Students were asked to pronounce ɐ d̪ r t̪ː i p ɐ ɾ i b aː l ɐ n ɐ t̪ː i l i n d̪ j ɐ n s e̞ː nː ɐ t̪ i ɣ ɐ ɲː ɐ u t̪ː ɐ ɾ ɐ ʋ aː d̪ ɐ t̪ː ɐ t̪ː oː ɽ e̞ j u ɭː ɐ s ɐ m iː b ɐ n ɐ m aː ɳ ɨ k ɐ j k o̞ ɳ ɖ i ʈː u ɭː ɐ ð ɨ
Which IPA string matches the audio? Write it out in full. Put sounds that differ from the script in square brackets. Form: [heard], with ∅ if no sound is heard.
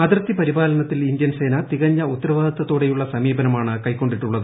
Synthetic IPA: ɐ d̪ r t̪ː i p ɐ ɾ i b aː l ɐ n ɐ t̪ː i l i n d̪ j ɐ n s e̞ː [n] ɐ t̪ i ɣ ɐ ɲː ɐ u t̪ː ɐ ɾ ɐ ʋ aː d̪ ɐ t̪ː ɐ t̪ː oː ɽ e̞ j u ɭː ɐ s ɐ m iː b ɐ n ɐ m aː ɳ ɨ k ɐ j k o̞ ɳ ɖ i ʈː u ɭː ɐ ð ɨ